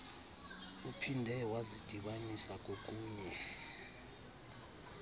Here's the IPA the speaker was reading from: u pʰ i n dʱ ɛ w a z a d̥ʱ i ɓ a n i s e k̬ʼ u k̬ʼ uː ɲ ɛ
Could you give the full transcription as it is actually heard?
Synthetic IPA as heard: u pʰ i n dʱ ɛ w a z i d̥ʱ i ɓ a n i s a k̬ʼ o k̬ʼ uː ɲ ɛ